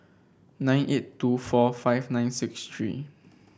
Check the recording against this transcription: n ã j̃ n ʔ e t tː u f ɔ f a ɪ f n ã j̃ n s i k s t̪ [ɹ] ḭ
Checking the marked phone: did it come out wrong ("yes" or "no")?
no